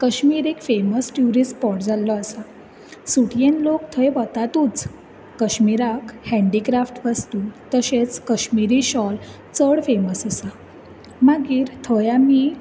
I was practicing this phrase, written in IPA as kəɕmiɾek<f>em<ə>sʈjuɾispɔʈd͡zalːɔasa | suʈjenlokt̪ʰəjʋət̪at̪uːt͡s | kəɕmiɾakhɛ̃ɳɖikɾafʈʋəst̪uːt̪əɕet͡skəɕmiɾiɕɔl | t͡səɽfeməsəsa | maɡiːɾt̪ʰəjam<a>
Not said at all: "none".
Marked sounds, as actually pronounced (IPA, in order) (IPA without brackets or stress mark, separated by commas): f, ə, i